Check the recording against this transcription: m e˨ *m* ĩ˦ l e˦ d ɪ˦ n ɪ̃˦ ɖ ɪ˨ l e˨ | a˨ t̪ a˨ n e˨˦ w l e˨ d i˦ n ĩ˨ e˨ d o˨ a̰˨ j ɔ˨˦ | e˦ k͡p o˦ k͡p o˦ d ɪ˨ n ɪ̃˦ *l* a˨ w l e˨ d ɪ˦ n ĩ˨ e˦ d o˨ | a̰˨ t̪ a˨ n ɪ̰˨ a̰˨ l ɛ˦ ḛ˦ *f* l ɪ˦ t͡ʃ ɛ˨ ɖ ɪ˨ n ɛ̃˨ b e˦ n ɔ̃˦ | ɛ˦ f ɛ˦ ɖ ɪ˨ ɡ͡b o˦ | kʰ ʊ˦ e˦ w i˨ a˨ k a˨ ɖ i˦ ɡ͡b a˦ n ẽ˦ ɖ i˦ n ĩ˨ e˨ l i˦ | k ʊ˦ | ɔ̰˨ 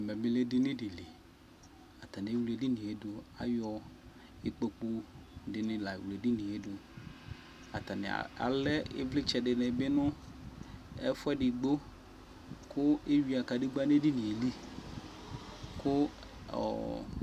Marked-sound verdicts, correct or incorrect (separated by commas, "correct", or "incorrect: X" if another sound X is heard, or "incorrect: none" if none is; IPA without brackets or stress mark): correct, correct, incorrect: v